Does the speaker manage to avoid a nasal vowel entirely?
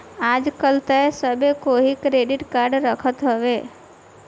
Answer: yes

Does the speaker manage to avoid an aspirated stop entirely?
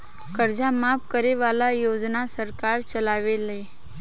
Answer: yes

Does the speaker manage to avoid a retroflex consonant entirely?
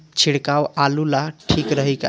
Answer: no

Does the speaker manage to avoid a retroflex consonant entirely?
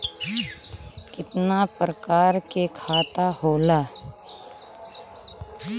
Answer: yes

